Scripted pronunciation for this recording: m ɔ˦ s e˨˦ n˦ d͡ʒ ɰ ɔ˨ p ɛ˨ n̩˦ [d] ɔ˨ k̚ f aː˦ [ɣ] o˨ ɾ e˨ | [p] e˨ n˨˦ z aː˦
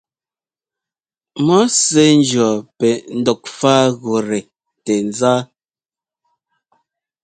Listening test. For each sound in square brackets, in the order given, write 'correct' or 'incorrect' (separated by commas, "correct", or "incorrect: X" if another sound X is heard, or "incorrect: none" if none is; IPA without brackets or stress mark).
correct, correct, incorrect: t